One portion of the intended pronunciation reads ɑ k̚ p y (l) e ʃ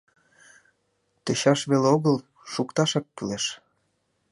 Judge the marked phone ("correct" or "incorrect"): correct